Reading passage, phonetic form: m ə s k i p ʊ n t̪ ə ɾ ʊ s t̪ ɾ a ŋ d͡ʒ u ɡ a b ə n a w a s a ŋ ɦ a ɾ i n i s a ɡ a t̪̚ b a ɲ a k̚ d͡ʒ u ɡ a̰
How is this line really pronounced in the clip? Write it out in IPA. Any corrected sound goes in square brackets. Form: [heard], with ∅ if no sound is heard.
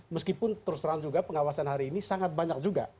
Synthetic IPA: m ə s k i p ʊ n t̪ ə ɾ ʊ s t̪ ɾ a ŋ d͡ʒ u ɡ a [p] ə [ŋ] a w a s a [n] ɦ a ɾ [iː] n i s a [ŋ] a t̪̚ b a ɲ a k̚ d͡ʒ u ɡ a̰

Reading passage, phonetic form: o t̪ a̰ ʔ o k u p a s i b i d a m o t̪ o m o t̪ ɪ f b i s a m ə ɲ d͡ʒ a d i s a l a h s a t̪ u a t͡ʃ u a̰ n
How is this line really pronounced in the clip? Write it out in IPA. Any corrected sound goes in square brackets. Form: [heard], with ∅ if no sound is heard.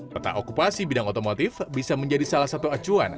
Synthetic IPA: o t̪ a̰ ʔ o k u p a s i b i d a [ŋ] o t̪ o m o t̪ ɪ f b i s a m ə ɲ d͡ʒ a d i s a l a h s a t̪ u a t͡ʃ u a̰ n

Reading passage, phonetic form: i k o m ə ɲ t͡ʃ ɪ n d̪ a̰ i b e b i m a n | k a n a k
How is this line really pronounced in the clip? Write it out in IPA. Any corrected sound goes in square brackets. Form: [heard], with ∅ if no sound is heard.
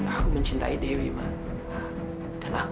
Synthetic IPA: [a] k [u] m ə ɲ t͡ʃ [i] n [t̪] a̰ i [d] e [w] i m a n | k a n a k

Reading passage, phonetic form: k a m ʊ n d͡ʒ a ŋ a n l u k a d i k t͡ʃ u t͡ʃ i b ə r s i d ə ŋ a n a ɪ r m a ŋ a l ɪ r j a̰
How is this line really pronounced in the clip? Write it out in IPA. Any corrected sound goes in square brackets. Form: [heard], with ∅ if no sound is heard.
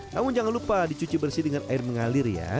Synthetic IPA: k a m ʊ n d͡ʒ a ŋ a n l u [p] a d i [∅] t͡ʃ u t͡ʃ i b ə r s i d ə ŋ a n a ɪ r m [ə] ŋ a l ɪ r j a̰

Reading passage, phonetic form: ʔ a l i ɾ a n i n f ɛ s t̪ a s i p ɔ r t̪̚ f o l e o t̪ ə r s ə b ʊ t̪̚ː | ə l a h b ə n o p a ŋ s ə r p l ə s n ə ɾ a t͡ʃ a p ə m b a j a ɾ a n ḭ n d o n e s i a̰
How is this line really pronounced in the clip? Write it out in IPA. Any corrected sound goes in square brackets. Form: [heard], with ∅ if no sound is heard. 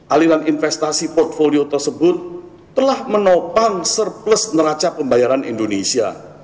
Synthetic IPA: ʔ a l i ɾ a n i n f ɛ s t̪ a s i p ɔ r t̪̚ f o l [i] o t̪ ə r s ə b ʊ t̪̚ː | ə l a h [m] ə n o p a ŋ s ə r p l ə s n ə ɾ a t͡ʃ a p ə m b a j a ɾ a n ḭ n d o n e s i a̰

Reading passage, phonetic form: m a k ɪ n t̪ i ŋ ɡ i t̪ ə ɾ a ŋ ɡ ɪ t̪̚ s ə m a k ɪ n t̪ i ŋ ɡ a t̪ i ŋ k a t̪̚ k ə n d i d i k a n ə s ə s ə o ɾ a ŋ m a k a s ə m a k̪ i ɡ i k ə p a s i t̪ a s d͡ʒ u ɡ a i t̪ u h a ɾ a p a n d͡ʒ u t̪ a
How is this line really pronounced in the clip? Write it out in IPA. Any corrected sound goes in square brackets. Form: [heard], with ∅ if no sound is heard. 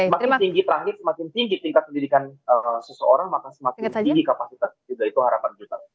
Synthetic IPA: m a k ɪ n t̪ i ŋ ɡ i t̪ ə ɾ a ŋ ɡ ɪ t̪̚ s ə m a k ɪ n t̪ i ŋ ɡ [i] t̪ i ŋ k a t̪̚ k ə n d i d i k a n ə s ə s ə o ɾ a ŋ m a k a s ə m a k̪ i ɡ i k [a] p a s i t̪ a s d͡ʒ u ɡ a i t̪ u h a ɾ a p a n d͡ʒ u t̪ a

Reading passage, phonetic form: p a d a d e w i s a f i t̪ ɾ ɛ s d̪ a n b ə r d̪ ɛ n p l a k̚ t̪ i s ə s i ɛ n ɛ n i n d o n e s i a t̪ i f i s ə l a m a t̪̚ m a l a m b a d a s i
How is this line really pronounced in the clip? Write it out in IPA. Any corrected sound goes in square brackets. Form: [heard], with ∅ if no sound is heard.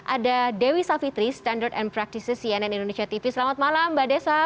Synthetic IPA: [ʔ] a d a d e w i s a f i t̪ ɾ [i] s [t̪] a n [d] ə r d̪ ɛ n p [ɾ] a k̚ t̪ i s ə s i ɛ n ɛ n i n d o n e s i a t̪ i f i s ə l a m a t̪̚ m a l a m b a d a s [a]

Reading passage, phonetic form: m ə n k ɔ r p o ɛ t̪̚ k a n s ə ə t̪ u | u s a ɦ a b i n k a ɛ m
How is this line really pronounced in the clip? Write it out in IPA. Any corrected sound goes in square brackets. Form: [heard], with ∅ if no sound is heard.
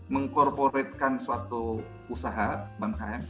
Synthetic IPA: m ə [ŋ] k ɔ r p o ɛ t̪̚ k a n s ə [a] t̪ u | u s a ɦ a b [a] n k a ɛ m

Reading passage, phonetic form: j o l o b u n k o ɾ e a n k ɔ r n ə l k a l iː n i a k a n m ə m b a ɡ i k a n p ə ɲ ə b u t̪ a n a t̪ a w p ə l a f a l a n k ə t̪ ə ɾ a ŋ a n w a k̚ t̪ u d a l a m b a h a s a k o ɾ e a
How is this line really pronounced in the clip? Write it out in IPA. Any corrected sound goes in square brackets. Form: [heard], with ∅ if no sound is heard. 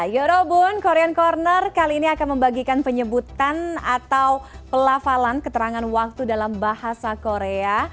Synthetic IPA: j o [ɾ] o b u n k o ɾ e a n k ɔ r n ə [r] k a l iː n i a k a n m ə m b a ɡ i k a n p ə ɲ ə b u t̪ a n a t̪ a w p ə l a f a l a n k ə t̪ ə ɾ a ŋ a n w a k̚ t̪ u d a l a m b a h a s a k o ɾ e a

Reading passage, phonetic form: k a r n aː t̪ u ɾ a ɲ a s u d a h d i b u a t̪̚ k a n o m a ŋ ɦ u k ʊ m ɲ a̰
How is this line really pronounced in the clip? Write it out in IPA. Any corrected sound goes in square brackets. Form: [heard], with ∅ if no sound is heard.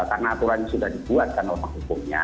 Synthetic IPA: k a r n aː t̪ u ɾ a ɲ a s u d a h d i b u a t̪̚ k a n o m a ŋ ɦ u k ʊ m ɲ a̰

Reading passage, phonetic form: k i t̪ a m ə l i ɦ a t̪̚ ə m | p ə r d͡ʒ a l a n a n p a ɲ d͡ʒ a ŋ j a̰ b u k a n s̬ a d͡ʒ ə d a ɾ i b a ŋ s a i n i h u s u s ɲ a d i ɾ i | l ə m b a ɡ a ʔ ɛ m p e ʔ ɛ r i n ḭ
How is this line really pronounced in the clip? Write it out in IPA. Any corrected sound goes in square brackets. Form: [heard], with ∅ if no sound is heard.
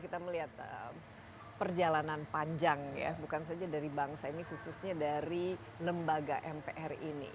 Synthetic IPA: k i t̪ a m ə l i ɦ a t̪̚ ə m | p ə r d͡ʒ a l a n a n p a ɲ d͡ʒ a ŋ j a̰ b u k a n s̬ a d͡ʒ [a] d a ɾ i b a ŋ s a i n i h u s u s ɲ a d [a] ɾ i | l ə m b a ɡ a ʔ ɛ m p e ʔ ɛ r i n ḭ

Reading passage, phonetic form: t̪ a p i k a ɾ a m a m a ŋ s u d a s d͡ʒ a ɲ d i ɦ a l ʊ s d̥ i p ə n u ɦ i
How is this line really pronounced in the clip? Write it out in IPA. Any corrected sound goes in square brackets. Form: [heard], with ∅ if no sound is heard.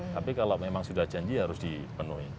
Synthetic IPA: t̪ a p i k a [l] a m [e] m a ŋ s u d a [h] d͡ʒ a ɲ [d͡ʒ] i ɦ a [ɾ] ʊ s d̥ i p ə n u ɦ i

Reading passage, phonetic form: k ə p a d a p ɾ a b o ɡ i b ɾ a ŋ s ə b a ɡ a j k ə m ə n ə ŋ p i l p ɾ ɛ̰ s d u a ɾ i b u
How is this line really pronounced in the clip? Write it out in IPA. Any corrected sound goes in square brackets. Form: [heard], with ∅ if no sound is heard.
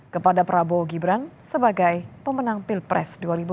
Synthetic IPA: k ə p a d a p ɾ a b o ɡ i b ɾ a [n] s ə b a ɡ a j [p] ə m ə n [a] ŋ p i l p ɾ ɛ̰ s d u a ɾ i b u

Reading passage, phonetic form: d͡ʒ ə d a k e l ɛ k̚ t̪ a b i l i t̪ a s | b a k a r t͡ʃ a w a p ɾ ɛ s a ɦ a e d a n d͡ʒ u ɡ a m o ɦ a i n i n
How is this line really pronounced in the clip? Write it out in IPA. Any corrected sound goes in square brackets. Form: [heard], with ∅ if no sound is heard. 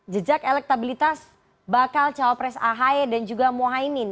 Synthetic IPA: d͡ʒ ə [d͡ʒ] a k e l ɛ k̚ t̪ a b i l i t̪ a s | b a k a [l] t͡ʃ a w a p ɾ ɛ s a ɦ a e d a n d͡ʒ u ɡ a m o ɦ a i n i n

